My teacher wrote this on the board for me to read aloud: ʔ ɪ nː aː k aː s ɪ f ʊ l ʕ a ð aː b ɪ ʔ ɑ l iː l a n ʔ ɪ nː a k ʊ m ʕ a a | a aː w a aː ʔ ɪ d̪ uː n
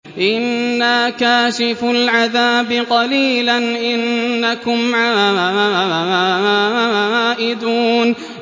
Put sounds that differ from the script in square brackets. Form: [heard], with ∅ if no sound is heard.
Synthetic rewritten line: ʔ ɪ nː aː k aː [ʃ] ɪ f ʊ l ʕ a ð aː b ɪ [q] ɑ l iː l a n ʔ ɪ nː a k ʊ m ʕ a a | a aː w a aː ʔ ɪ d̪ uː n